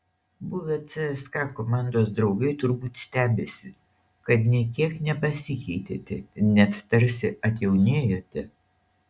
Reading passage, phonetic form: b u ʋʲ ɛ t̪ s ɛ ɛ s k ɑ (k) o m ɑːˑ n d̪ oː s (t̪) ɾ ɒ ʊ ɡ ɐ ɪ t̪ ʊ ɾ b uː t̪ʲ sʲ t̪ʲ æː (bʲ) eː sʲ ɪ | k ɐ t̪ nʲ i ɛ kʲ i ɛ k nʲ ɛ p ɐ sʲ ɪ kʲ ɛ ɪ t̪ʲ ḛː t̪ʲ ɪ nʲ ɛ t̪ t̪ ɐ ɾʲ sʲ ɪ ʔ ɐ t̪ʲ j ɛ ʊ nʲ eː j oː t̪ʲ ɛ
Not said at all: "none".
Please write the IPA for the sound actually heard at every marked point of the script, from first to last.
k, d̪, bʲ

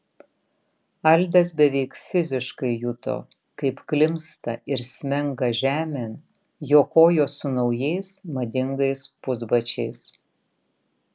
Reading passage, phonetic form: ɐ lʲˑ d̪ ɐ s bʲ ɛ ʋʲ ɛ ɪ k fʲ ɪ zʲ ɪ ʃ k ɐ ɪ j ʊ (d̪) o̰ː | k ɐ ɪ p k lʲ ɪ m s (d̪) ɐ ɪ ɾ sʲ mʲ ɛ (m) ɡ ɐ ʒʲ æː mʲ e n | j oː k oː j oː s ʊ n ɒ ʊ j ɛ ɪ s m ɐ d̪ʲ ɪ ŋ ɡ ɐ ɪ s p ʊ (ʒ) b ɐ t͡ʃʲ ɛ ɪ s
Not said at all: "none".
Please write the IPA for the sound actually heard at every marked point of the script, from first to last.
t̪, t̪, ŋ, z

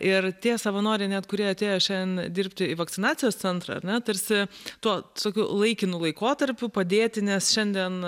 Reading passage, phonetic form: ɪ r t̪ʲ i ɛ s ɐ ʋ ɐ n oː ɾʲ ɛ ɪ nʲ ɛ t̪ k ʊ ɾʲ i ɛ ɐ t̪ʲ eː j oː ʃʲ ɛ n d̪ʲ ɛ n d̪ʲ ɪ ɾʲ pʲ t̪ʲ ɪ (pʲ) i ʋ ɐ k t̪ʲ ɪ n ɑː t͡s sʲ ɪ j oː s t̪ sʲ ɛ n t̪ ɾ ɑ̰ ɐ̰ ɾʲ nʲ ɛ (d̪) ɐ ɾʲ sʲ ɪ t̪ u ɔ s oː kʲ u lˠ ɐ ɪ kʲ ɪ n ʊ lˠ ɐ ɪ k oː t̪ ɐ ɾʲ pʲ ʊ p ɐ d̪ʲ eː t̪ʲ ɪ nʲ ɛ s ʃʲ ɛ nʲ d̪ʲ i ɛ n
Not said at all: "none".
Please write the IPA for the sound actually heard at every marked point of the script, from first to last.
none, t̪

